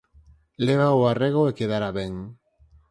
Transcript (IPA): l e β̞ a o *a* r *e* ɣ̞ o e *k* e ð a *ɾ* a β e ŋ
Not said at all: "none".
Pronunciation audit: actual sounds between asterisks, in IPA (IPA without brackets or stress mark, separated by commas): a, e, k, ɾ